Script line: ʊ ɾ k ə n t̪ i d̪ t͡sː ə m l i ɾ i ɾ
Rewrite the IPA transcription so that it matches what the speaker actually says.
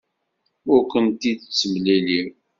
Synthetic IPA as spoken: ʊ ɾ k ə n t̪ i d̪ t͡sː ə m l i l i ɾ